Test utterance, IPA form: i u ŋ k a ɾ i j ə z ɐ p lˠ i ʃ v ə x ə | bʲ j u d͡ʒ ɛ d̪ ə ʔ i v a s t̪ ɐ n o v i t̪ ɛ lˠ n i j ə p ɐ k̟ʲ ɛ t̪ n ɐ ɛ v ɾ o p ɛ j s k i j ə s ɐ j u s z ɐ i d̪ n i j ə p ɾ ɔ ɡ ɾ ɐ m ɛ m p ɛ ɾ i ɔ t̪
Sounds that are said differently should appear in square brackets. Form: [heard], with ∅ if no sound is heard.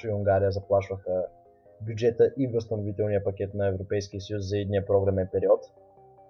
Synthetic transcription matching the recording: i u ŋ [ɡ] a ɾ i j ə z ɐ p lˠ [a] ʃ v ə x ə | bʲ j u d͡ʒ ɛ [t̪] ə ʔ i v [ə] s t̪ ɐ n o v i t̪ ɛ lˠ n i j ə p ɐ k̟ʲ ɛ t̪ n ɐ ɛ v ɾ o p ɛ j s k i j ə s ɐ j u s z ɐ i d̪ n i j ə p ɾ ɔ ɡ ɾ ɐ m ɛ [n] p ɛ ɾ i ɔ t̪